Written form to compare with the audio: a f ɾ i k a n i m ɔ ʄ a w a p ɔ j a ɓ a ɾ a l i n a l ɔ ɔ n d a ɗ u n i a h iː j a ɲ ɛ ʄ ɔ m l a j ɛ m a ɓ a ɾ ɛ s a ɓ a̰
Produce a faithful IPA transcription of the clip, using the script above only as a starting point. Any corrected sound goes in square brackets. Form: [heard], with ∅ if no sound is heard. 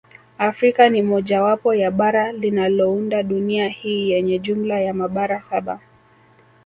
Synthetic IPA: a f ɾ i k a n i m ɔ ʄ a w a p ɔ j a ɓ a ɾ a l i n a l ɔ [u] n d a ɗ u n i a h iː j [ɛ] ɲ ɛ ʄ [u] m l a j [a] m a ɓ a ɾ [a] s a ɓ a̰